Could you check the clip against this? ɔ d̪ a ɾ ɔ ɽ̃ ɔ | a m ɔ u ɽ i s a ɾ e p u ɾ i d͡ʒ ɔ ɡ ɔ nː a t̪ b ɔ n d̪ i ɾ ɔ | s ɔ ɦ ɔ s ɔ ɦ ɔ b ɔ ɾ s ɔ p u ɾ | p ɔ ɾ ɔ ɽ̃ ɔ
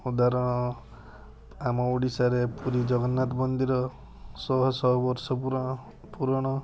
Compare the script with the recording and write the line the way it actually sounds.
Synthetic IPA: u d̪ a ɾ ɔ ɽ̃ ɔ | a m ɔ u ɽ i s a ɾ e p u ɾ i d͡ʒ ɔ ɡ ɔ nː a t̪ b ɔ n d̪ i ɾ ɔ | s ɔ ɦ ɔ s ɔ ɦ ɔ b ɔ ɾ s ɔ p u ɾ | p u ɾ ɔ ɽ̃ ɔ